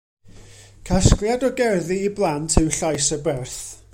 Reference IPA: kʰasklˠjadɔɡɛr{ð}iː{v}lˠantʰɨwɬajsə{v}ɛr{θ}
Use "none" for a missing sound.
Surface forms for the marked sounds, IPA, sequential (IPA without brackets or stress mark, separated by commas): ð, b, b, θ